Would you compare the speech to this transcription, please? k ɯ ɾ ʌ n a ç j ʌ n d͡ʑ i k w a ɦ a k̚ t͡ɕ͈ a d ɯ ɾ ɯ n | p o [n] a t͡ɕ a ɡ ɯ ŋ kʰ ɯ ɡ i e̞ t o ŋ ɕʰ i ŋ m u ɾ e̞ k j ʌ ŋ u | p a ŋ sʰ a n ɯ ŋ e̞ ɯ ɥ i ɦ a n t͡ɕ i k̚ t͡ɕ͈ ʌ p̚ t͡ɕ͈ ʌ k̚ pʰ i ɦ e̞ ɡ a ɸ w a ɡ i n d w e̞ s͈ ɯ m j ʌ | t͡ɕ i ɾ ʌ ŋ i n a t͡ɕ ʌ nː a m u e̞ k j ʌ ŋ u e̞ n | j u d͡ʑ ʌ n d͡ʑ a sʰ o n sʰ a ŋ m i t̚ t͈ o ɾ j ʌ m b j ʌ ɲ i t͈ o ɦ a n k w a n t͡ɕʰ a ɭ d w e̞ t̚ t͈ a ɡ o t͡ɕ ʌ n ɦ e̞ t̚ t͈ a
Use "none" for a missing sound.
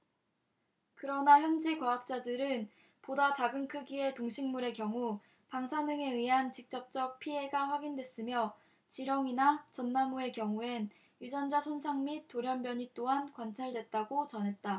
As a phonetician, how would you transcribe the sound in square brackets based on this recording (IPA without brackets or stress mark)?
d